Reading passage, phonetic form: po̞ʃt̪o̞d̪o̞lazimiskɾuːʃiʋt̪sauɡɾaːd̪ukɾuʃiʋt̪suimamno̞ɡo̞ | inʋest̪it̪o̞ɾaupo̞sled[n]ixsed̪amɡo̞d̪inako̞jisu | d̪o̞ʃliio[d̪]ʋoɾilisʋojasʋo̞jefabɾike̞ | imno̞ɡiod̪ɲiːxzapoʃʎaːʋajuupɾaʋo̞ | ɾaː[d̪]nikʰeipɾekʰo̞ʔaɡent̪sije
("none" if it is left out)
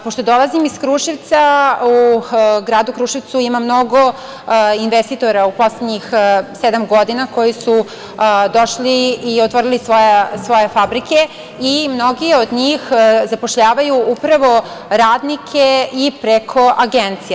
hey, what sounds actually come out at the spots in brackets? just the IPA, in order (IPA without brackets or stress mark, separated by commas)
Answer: ɲ, t̪, d̪